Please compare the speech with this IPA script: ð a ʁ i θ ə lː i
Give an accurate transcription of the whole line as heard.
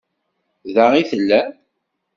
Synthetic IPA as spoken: ð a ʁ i θ ə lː æ